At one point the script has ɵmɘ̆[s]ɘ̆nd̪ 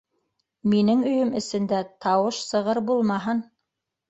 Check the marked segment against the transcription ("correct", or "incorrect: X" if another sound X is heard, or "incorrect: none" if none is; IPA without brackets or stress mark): correct